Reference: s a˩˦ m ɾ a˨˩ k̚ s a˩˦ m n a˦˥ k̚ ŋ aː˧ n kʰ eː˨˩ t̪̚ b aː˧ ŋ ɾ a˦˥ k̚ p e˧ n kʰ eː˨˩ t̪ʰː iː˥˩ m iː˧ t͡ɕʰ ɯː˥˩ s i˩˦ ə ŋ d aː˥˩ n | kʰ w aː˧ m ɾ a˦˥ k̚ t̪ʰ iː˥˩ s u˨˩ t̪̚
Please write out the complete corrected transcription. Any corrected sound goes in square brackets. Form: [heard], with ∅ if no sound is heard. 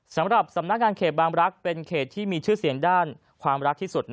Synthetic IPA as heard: s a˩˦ m ɾ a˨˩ [p̚] s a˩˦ m n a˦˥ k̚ ŋ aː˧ n kʰ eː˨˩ t̪̚ b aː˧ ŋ ɾ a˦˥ k̚ p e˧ n kʰ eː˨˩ t̪ʰː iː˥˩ m iː˧ t͡ɕʰ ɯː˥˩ s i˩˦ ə ŋ d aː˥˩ n | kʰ w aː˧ m ɾ a˦˥ k̚ t̪ʰ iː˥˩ s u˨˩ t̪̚